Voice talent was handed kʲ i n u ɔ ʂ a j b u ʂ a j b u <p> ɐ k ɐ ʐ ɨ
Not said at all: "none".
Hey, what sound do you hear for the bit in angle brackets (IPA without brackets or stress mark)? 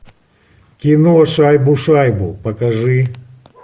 p